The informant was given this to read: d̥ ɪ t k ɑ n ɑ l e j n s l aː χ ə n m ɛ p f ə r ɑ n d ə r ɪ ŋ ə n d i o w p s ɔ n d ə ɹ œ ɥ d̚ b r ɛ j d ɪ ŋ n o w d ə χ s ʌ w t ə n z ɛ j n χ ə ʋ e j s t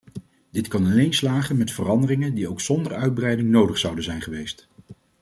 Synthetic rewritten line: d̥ ɪ t k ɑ n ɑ l e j n s l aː χ ə n m ɛ t f ə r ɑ n d ə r ɪ ŋ ə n d i o w k s ɔ n d ə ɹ œ ɥ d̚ b r ɛ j d ɪ ŋ n o w d ə χ s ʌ w d ə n z ɛ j n χ ə ʋ e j s t